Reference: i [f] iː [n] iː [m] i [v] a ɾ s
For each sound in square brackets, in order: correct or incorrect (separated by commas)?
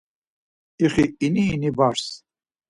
incorrect, correct, incorrect, incorrect